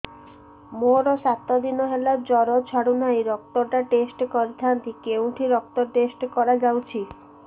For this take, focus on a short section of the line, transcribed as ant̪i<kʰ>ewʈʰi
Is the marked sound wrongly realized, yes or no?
yes